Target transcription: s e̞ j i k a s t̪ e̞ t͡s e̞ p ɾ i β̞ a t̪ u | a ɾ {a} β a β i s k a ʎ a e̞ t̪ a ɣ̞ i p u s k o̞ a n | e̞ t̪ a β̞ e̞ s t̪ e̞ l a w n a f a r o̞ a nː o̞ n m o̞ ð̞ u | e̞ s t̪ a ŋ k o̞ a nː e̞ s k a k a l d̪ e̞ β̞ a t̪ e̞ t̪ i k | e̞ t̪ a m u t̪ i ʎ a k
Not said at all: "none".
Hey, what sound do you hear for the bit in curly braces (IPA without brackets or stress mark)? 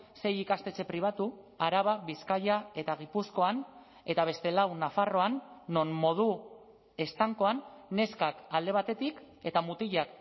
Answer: a